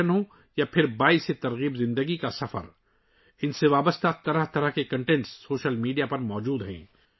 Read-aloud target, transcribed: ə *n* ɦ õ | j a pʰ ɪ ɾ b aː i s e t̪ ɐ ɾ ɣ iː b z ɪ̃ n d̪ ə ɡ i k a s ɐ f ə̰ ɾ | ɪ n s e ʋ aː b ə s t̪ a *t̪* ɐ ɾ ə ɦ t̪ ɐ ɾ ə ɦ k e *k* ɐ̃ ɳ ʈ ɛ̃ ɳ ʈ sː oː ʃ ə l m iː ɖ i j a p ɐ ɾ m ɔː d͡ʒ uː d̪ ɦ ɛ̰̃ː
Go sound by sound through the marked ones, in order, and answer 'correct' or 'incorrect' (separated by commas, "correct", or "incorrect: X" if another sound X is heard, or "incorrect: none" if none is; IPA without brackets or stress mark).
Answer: correct, correct, correct